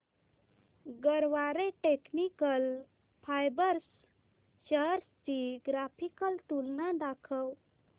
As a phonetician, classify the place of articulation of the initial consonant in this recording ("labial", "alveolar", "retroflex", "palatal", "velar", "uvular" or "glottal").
velar